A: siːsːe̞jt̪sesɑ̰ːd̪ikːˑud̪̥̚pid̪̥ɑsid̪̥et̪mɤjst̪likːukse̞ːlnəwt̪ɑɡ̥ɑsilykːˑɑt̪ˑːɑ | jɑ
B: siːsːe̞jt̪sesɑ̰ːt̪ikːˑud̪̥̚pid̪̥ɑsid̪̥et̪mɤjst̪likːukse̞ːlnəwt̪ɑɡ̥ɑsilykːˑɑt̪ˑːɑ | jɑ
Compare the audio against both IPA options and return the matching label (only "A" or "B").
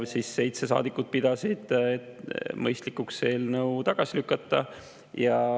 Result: A